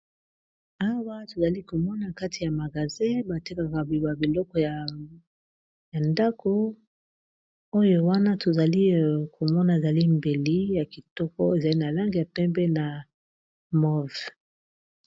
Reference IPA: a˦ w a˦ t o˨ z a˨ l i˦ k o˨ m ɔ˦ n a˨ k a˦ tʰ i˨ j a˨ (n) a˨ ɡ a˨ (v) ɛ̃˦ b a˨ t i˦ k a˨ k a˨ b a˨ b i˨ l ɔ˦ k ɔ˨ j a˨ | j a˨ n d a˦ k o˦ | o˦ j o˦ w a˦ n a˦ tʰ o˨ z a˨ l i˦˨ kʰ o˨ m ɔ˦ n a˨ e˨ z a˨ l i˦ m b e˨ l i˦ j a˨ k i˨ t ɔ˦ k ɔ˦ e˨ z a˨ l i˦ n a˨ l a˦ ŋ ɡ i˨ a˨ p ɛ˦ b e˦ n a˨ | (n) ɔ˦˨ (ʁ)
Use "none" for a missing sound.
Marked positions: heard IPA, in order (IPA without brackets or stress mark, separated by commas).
m, z, m, v